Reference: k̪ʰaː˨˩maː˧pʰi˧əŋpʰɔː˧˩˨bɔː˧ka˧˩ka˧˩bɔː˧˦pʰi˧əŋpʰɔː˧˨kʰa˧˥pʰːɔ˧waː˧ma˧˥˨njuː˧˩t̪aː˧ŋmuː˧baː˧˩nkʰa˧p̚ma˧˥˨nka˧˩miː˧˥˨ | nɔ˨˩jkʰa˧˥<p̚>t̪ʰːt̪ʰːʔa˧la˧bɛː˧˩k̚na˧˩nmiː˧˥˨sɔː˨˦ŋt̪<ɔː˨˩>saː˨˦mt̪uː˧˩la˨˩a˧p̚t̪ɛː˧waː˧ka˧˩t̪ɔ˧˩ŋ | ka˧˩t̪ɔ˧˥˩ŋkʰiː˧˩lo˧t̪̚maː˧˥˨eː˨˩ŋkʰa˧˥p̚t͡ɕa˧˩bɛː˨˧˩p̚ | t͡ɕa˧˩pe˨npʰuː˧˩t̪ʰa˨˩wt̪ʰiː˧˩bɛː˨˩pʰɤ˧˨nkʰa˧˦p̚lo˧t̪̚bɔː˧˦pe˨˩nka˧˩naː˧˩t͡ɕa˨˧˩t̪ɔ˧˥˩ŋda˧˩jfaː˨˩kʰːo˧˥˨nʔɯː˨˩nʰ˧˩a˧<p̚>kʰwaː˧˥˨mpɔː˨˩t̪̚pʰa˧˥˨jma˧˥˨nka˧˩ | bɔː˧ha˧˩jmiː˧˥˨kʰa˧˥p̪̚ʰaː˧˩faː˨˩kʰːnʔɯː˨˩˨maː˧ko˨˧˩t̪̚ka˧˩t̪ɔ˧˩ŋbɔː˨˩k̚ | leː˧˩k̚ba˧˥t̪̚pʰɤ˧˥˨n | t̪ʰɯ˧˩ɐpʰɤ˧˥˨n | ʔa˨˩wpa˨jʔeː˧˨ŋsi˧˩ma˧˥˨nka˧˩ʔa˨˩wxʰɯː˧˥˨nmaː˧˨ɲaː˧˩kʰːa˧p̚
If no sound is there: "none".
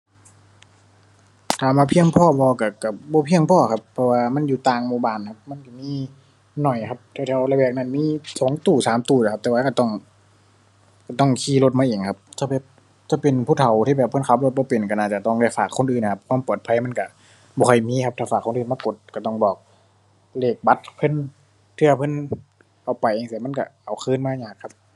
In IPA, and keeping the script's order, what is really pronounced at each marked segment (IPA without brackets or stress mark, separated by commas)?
p̚, uː˨˩, p̚